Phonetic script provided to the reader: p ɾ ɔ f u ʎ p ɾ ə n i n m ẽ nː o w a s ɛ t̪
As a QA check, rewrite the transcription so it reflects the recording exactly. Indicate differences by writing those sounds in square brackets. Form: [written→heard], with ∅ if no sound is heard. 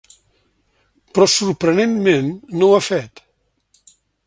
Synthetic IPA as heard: p ɾ ɔ [f→s] u [ʎ→ɾ] p ɾ ə n [i→e] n m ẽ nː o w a [s→f] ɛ t̪